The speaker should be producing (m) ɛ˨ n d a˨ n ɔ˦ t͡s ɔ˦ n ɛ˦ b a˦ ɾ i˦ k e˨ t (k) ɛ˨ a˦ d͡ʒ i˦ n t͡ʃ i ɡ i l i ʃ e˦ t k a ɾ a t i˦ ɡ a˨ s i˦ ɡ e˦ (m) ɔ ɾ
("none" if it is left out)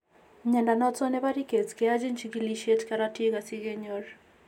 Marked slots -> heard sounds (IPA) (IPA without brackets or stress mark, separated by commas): ɲ, k, ɲ